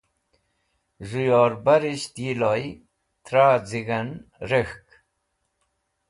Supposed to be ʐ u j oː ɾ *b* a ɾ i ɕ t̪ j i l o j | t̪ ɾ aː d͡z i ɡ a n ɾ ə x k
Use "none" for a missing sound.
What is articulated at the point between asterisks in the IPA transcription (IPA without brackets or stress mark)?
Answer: b